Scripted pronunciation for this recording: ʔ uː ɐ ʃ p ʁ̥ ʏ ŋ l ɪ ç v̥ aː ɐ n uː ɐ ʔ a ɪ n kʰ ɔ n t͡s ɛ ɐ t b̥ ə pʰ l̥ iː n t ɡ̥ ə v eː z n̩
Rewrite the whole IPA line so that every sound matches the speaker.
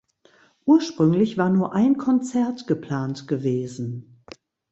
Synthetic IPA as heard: ʔ uː ɐ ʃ p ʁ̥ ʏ ŋ l ɪ ç v̥ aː ɐ n uː ɐ ʔ a ɪ n kʰ ɔ n t͡s ɛ ɐ t ɡ̥ ə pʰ l̥ aː n t ɡ̥ ə v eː z n̩